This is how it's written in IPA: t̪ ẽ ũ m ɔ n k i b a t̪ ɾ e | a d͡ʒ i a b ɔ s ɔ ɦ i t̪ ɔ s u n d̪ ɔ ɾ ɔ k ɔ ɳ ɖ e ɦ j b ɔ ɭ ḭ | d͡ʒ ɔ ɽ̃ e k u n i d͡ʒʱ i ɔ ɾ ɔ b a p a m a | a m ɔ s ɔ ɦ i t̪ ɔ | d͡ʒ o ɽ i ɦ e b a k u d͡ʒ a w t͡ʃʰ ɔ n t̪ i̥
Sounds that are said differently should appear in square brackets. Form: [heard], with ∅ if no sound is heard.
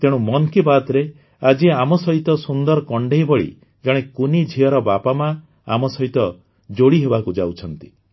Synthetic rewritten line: t̪ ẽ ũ m ɔ n k i b a t̪ ɾ e | a d͡ʒ i a [m] ɔ s ɔ ɦ i t̪ ɔ s u n d̪ ɔ ɾ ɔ k ɔ ɳ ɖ e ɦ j b ɔ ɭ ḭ | d͡ʒ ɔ ɽ̃ e k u n i d͡ʒʱ i ɔ ɾ ɔ b a p a m a | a m ɔ s ɔ ɦ i t̪ ɔ | d͡ʒ o ɽ i ɦ e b a k u d͡ʒ a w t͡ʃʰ ɔ n t̪ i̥

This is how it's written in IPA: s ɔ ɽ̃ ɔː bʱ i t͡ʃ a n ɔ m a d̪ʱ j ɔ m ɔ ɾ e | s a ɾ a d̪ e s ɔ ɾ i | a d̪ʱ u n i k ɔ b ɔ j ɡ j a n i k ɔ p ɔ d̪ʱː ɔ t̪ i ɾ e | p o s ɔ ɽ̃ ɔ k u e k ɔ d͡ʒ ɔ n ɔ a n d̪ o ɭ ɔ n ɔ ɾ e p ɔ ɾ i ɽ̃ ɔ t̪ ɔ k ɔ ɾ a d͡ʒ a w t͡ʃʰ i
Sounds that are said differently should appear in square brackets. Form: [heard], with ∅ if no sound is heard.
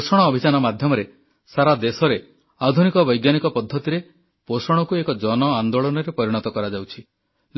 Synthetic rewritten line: s ɔ ɽ̃ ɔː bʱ i t͡ʃ a n ɔ m a d̪ʱ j ɔ m ɔ ɾ e | s a ɾ a d̪ e s ɔ ɾ [e] | a d̪ʱ u n i k ɔ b ɔ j ɡ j a n i k ɔ p ɔ d̪ʱː ɔ t̪ i ɾ e | p o s ɔ ɽ̃ ɔ k u e k ɔ d͡ʒ ɔ n ɔ a n d̪ o ɭ ɔ n ɔ ɾ e p ɔ ɾ i ɽ̃ ɔ t̪ ɔ k ɔ ɾ a d͡ʒ a w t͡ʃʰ i

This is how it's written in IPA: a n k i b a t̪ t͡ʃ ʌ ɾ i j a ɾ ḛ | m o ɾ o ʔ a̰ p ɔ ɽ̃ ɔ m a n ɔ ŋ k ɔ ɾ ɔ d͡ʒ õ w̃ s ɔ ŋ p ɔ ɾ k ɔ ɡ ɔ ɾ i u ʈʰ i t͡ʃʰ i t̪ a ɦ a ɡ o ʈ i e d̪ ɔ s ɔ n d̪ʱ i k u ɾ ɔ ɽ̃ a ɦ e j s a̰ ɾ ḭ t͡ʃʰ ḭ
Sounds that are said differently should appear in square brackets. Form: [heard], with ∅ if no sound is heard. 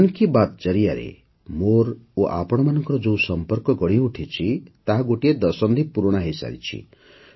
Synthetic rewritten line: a n k i b a t̪ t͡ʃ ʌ ɾ i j a ɾ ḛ | m o ɾ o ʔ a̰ p ɔ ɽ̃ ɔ m a n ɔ ŋ k ɔ ɾ ɔ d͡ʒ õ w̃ s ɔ [m] p ɔ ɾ k ɔ ɡ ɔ [ɽ] i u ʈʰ i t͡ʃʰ i t̪ a ɦ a ɡ o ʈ i e d̪ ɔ s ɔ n d̪ʱ i [p] u ɾ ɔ ɽ̃ a ɦ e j s a̰ ɾ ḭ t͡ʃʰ ḭ

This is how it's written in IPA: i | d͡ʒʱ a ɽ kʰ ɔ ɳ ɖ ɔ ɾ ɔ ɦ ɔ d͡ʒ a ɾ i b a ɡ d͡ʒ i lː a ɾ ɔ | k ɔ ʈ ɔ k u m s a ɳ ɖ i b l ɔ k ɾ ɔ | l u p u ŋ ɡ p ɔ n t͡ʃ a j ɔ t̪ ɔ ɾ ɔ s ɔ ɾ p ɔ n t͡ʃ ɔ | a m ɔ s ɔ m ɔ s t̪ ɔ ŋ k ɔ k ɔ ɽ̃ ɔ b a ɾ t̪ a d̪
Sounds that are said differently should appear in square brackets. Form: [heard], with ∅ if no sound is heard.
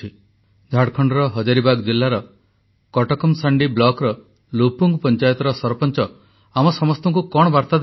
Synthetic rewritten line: i | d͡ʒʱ a ɽ kʰ ɔ ɳ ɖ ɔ ɾ ɔ ɦ ɔ d͡ʒ a ɾ i b a ɡ d͡ʒ i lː a ɾ ɔ | k ɔ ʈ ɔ k [ɔ] m s a ɳ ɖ i b l ɔ k ɾ ɔ | l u p u ŋ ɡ p ɔ n t͡ʃ a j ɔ t̪ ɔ ɾ ɔ s ɔ ɾ p ɔ n t͡ʃ ɔ | a m ɔ s ɔ m ɔ s t̪ ɔ ŋ k [u] k ɔ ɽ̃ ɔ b a ɾ t̪ a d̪

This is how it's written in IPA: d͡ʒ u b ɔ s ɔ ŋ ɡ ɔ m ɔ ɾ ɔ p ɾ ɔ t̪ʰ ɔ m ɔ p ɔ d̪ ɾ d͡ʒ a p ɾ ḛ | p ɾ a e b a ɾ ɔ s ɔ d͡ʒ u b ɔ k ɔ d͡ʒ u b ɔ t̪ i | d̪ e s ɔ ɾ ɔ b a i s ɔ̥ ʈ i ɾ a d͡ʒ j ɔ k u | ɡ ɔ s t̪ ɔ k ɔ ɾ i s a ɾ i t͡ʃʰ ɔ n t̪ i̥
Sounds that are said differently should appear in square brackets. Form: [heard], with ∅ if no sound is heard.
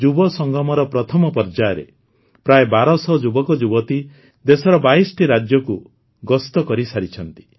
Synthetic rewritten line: d͡ʒ u b ɔ s ɔ ŋ ɡ ɔ m ɔ ɾ ɔ p ɾ ɔ t̪ʰ ɔ m ɔ p ɔ [∅] ɾ d͡ʒ a [∅] ɾ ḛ | p ɾ a e b a ɾ ɔ s ɔ d͡ʒ u b ɔ k ɔ d͡ʒ u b ɔ t̪ i | d̪ e s ɔ ɾ ɔ b a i s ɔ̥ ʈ i ɾ a d͡ʒ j ɔ k u | ɡ ɔ s t̪ ɔ k ɔ ɾ i s a ɾ i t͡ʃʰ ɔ n t̪ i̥

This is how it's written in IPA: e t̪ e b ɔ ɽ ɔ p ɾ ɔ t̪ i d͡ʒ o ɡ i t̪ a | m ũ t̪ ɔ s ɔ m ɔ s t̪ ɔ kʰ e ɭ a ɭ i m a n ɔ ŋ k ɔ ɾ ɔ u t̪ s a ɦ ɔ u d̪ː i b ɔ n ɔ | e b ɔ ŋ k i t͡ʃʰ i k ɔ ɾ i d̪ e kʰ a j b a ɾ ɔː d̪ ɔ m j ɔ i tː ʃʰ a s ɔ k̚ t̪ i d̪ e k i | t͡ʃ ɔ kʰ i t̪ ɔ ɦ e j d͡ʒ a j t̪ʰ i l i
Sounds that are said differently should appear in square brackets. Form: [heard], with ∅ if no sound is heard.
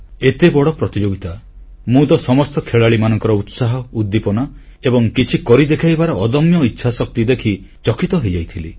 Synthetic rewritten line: e t̪ e b ɔ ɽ ɔ p ɾ ɔ t̪ i d͡ʒ o ɡ i t̪ a | m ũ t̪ ɔ s ɔ m ɔ s t̪ ɔ kʰ e ɭ a ɭ i m a n ɔ ŋ k ɔ ɾ ɔ u t̪ s a ɦ ɔ u d̪ː i [p] ɔ n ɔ | e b ɔ ŋ k i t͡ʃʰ i k ɔ ɾ i d̪ e kʰ a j b a ɾ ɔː d̪ ɔ m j ɔ i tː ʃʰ a s ɔ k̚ t̪ i d̪ e [kʰ] i | t͡ʃ ɔ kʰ i t̪ ɔ ɦ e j d͡ʒ a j t̪ʰ i l i

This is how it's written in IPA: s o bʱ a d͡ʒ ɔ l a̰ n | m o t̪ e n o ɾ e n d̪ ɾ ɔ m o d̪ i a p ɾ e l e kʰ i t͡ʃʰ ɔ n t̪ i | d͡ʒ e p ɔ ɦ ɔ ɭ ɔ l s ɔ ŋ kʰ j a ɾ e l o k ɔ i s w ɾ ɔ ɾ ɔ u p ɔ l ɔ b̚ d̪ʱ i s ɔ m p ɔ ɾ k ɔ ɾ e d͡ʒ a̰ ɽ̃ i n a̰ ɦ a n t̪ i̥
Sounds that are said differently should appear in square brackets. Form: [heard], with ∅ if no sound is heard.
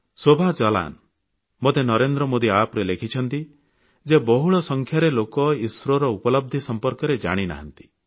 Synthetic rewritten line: s o bʱ a d͡ʒ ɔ l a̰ n | m o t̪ e n [ɔ] ɾ e n d̪ ɾ ɔ m o d̪ i a p ɾ e l e kʰ i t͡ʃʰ ɔ n t̪ i | d͡ʒ e [b] ɔ ɦ [u] ɭ ɔ [∅] s ɔ ŋ kʰ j a ɾ e l o k ɔ i s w ɾ ɔ ɾ ɔ u p ɔ l ɔ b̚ d̪ʱ i s ɔ m p ɔ ɾ k ɔ ɾ e d͡ʒ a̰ ɽ̃ i n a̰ ɦ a n t̪ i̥

